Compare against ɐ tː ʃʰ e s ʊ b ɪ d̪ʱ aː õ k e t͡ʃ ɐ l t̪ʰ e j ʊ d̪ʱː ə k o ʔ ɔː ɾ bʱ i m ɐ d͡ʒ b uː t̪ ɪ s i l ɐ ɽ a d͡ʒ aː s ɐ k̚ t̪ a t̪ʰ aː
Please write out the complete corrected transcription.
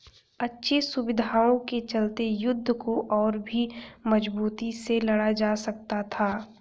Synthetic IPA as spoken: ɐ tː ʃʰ e s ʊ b ɪ d̪ʱ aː õ k e t͡ʃ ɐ l t̪ e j ʊ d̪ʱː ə k o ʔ ɔː ɾ bʱ i m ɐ d͡ʒ b uː t̪ i s e l ɐ ɽ a d͡ʒ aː s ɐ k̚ t̪ a t̪ʰ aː